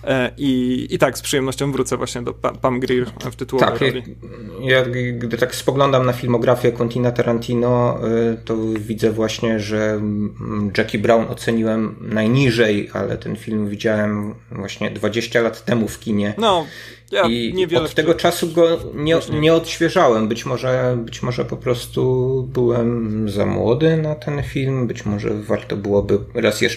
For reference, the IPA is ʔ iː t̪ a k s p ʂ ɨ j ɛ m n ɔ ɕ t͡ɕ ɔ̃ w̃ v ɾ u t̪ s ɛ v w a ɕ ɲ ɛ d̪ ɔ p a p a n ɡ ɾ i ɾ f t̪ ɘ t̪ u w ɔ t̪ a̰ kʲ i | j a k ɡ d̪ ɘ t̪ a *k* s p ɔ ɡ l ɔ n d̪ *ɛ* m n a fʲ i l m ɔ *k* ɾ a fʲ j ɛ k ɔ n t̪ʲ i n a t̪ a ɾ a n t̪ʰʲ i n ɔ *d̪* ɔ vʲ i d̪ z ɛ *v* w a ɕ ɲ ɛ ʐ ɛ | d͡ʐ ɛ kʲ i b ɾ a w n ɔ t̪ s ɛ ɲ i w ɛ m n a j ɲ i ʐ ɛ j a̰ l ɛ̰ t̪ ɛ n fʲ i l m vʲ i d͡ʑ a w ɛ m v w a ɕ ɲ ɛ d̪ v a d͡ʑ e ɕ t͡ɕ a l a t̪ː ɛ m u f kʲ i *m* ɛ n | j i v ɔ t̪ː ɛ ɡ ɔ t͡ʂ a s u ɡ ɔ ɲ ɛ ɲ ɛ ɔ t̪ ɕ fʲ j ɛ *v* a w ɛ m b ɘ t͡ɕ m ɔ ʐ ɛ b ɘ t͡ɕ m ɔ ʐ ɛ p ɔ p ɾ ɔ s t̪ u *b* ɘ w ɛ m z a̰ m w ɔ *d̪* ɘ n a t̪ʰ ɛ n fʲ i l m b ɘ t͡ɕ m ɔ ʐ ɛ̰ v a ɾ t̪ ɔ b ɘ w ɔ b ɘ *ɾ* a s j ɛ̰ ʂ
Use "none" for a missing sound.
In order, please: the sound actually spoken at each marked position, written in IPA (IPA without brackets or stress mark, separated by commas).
k, a, ɡ, t̪, v, ɲ, ʐ, b, d̪, ɾ